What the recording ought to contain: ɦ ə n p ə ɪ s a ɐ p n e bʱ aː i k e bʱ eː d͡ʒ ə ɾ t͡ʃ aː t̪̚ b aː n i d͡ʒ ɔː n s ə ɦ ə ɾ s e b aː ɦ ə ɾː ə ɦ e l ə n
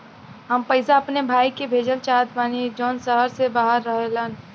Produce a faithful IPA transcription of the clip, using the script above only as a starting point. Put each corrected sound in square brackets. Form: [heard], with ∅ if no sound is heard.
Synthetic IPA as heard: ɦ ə [m] p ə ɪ s a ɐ p n e bʱ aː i k e bʱ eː d͡ʒ ə [l] t͡ʃ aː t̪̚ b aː n i d͡ʒ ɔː n s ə ɦ ə ɾ s e b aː ɦ ə ɾː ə ɦ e l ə n